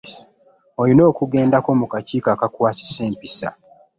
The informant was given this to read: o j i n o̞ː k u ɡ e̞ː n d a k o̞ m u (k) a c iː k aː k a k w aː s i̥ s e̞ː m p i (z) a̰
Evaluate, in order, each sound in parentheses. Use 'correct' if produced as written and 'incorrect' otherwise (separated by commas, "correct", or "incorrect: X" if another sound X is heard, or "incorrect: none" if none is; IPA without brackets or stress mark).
correct, incorrect: s